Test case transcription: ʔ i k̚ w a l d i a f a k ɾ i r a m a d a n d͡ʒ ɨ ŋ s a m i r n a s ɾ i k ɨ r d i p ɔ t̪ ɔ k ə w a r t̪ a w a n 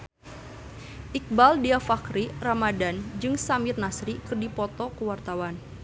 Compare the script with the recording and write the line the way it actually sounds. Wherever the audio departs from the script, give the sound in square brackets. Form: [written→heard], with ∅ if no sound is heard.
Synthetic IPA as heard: ʔ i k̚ [w→b] a l d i a f a k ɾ i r a m a d a n d͡ʒ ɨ ŋ s a m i r n a s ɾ i k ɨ r d i p ɔ t̪ ɔ k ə w a r t̪ a w a n